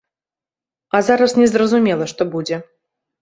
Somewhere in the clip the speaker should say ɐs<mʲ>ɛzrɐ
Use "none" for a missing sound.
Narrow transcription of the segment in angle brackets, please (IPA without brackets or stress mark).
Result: nʲ